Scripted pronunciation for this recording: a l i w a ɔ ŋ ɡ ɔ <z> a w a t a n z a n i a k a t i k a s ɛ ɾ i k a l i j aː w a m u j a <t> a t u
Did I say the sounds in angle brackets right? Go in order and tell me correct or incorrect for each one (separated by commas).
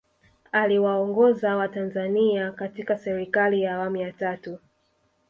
correct, correct